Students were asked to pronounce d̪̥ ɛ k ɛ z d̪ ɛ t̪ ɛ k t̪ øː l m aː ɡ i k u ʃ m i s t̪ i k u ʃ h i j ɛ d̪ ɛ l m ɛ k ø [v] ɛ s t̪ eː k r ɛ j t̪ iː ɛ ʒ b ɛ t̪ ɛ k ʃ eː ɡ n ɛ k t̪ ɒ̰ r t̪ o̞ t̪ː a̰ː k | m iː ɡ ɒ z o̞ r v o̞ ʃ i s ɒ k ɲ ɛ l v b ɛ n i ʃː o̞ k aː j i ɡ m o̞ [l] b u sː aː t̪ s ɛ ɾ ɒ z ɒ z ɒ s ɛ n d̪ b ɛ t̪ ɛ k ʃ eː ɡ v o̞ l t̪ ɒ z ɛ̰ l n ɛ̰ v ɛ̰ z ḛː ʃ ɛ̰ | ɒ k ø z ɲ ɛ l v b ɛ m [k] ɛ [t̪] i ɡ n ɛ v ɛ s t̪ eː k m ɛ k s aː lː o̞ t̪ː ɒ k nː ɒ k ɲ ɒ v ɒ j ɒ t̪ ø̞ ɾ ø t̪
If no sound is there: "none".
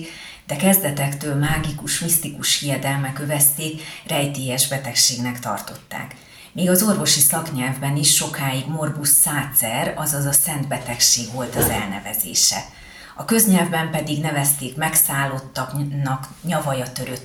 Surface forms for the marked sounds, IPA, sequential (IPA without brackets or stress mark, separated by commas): v, r, p, d̪